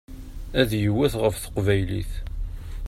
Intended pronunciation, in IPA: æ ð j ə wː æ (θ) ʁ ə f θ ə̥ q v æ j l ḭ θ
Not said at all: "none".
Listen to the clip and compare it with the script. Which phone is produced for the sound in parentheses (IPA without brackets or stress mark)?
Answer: θ